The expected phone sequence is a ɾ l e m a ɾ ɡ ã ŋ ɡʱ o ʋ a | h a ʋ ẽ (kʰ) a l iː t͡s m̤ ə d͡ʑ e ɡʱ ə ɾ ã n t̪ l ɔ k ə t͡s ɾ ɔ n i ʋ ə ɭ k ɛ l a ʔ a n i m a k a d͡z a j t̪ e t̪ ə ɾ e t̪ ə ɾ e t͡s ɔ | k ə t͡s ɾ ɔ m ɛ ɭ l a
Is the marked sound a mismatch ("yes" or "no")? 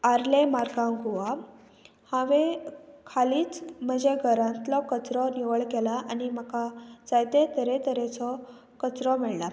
no